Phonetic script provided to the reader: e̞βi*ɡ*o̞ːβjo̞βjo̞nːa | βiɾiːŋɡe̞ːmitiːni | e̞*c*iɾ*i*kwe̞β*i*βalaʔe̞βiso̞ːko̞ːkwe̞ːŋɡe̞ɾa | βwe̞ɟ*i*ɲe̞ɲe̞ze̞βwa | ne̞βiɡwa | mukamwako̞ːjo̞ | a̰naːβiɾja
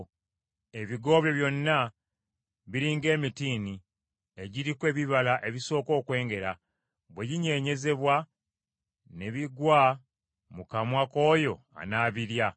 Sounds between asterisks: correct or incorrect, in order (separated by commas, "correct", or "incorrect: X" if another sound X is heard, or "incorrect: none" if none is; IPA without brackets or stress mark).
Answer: correct, incorrect: ɟ, correct, correct, correct